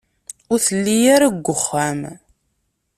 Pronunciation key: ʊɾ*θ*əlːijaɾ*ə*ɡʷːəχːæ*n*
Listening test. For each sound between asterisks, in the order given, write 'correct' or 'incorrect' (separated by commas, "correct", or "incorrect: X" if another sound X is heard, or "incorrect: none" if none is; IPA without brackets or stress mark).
correct, incorrect: a, incorrect: m